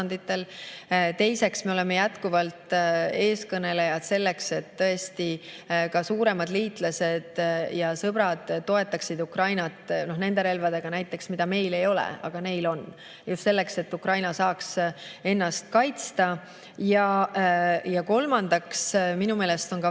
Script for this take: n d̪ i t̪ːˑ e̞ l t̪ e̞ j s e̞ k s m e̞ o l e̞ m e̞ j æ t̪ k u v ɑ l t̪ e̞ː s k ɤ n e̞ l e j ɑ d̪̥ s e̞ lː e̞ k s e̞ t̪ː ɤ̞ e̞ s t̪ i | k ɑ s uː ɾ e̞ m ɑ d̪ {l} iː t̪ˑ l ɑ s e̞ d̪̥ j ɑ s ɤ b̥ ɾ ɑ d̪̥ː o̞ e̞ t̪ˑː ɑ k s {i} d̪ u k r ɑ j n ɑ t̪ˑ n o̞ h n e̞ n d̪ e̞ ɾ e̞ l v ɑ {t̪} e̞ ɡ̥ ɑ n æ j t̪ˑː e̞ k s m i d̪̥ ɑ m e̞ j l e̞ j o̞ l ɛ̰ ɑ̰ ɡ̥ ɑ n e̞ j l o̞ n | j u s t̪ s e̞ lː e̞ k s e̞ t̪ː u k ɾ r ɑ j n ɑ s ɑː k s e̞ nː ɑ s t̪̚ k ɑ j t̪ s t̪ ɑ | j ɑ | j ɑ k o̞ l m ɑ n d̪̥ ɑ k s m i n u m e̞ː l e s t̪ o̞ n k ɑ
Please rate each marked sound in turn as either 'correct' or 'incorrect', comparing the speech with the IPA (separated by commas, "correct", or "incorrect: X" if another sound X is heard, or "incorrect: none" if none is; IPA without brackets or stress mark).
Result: correct, correct, incorrect: d̪